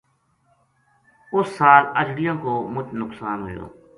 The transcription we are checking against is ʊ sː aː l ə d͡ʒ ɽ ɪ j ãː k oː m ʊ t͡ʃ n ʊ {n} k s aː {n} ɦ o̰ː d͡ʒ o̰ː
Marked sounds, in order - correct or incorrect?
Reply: incorrect: none, correct

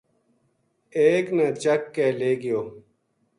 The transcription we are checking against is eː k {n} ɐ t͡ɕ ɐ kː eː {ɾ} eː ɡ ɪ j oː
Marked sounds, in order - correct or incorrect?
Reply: correct, incorrect: l

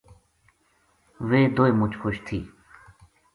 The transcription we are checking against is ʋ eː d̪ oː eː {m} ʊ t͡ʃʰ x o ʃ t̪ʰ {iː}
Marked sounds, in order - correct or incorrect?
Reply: correct, correct

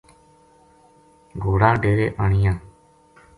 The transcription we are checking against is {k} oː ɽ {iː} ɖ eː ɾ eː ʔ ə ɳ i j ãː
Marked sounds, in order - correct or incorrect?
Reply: incorrect: ɡ, incorrect: aː

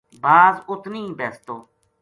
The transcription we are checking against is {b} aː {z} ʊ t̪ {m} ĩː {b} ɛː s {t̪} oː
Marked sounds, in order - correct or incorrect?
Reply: correct, correct, incorrect: n, correct, correct

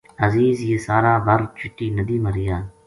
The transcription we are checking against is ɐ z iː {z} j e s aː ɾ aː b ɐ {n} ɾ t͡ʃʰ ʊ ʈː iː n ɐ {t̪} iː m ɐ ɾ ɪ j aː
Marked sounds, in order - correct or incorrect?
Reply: correct, incorrect: none, incorrect: d̪

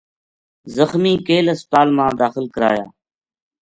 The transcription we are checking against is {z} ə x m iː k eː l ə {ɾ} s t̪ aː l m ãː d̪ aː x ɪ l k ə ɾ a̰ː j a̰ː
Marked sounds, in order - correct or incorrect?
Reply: correct, incorrect: none

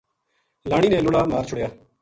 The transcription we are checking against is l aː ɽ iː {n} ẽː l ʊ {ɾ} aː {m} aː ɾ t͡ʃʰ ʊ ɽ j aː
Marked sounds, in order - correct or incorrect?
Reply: correct, incorrect: ɽ, correct

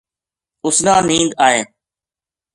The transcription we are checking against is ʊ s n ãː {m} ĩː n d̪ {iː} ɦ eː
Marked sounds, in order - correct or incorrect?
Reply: incorrect: n, incorrect: aː

